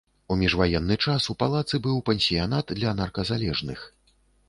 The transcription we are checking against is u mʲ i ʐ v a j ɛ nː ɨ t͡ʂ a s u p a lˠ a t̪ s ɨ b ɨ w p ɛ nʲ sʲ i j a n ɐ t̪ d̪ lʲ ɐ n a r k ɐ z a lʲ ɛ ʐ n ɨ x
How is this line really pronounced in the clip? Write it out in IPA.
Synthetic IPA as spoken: u mʲ i ʐ v a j ɛ nː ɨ t͡ʂ a s u p a lˠ a t̪ s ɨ b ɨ w p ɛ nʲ sʲ i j a n a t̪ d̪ lʲ ɐ n a r k ɐ z a lʲ ɛ ʐ n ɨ x